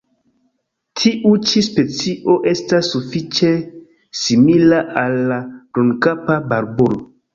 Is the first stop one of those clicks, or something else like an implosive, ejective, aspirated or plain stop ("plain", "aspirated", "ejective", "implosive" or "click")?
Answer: aspirated